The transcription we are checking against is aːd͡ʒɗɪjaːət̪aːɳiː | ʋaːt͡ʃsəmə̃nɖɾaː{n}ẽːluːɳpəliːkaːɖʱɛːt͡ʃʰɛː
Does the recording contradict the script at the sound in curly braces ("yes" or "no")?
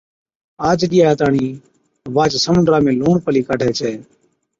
yes